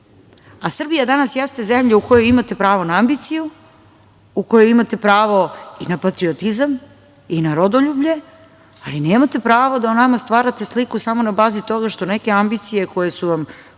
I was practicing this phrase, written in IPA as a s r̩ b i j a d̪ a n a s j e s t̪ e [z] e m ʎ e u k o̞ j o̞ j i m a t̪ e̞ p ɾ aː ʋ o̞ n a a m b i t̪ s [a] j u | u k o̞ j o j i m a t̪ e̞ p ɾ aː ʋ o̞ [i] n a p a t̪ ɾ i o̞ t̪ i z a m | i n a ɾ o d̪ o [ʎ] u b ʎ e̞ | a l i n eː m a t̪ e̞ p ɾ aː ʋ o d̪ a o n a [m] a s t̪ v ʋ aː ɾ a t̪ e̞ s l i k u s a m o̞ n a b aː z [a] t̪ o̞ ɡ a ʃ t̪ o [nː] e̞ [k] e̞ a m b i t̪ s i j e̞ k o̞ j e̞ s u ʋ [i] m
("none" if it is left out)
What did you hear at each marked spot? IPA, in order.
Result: z, i, i, ʎ, m, i, n, k, a

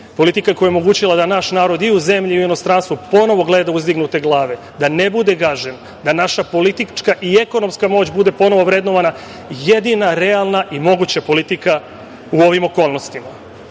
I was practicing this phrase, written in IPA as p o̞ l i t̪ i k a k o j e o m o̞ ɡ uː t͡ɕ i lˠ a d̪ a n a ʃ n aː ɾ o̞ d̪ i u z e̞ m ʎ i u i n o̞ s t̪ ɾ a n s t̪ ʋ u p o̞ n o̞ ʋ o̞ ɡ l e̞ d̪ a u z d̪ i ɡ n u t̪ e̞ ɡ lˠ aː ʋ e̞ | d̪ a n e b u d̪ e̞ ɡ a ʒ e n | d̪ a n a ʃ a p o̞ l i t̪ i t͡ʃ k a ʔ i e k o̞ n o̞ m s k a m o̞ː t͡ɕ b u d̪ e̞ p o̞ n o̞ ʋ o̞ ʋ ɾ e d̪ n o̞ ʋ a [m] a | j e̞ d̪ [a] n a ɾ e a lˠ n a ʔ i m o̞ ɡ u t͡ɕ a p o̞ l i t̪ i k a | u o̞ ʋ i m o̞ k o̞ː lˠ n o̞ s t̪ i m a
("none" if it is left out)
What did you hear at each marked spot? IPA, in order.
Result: n, i

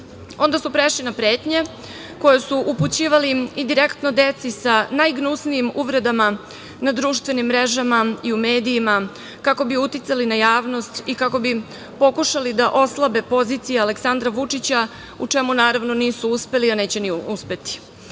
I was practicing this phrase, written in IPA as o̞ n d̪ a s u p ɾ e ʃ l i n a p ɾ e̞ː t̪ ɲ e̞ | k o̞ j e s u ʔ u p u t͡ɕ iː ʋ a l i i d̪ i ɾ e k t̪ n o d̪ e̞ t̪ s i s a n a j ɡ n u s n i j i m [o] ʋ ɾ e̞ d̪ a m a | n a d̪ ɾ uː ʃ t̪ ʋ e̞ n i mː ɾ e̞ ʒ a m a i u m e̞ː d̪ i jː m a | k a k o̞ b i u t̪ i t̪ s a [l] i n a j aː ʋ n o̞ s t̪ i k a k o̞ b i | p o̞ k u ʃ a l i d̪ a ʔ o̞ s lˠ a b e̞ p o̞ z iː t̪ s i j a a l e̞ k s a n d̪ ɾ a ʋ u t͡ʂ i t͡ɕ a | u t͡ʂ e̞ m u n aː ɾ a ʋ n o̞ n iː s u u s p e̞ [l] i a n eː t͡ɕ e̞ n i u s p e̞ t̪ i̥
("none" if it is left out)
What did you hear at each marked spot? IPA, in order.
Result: u, l, l

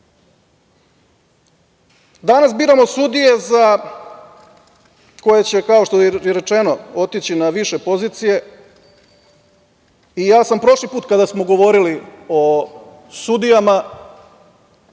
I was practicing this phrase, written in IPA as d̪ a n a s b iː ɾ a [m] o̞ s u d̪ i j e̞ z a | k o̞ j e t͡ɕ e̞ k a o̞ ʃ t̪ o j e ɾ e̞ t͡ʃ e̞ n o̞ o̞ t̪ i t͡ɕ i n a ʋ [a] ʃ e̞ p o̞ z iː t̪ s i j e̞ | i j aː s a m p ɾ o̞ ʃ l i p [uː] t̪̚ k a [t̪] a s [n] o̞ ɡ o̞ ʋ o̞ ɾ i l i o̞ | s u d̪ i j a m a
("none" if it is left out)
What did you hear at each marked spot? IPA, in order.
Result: m, i, uː, d̪, m

